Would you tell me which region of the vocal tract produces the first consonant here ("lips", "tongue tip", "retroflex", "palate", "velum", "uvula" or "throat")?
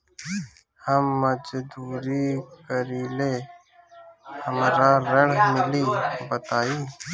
throat